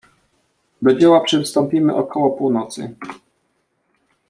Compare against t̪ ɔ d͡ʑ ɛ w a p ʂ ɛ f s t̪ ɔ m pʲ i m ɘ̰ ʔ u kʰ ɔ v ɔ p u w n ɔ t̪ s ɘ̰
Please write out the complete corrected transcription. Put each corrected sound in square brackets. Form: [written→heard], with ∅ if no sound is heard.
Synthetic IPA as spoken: [t̪→d̪] ɔ d͡ʑ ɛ w a p ʂ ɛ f s t̪ ɔ m pʲ i m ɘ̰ ʔ [u→ɔ] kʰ ɔ [v→w] ɔ p u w n ɔ t̪ s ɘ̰